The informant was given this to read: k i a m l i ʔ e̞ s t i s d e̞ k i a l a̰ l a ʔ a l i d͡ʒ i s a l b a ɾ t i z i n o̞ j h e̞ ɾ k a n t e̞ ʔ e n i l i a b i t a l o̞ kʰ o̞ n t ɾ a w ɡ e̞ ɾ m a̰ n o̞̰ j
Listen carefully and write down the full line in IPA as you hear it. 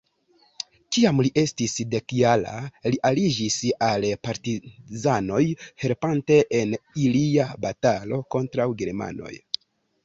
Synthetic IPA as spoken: k i a m l i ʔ e̞ s t i s d e̞ k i a l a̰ l i ʔ a l i d͡ʒ i s a l p a ɾ t i z a n o̞ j h e̞ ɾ p a n t e̞ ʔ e n i l i a b a t a l o̞ k o̞ n t ɾ a w ɡ e̞ ɾ m a̰ n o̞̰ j